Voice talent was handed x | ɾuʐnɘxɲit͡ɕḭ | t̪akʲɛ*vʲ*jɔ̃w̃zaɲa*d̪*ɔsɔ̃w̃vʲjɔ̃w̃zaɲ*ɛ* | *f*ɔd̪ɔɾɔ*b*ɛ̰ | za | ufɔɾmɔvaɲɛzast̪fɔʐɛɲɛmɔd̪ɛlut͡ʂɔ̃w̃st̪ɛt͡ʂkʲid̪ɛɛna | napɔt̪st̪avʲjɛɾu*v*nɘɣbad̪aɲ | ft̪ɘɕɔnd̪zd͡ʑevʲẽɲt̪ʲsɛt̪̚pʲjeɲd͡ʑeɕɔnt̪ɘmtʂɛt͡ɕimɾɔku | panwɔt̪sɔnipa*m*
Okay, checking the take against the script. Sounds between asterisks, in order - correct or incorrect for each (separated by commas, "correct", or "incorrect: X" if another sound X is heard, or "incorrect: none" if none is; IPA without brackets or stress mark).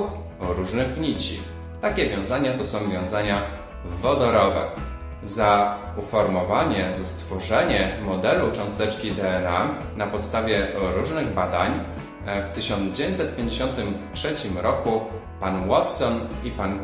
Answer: correct, incorrect: t̪, incorrect: a, incorrect: v, incorrect: v, incorrect: ʐ, incorrect: n